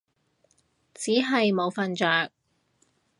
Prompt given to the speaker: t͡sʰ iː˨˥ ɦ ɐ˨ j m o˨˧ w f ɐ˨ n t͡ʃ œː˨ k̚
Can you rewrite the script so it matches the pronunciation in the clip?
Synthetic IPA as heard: t͡s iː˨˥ ɦ ɐ˨ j m o˨˧ w f ɐ˨ n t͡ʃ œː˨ k̚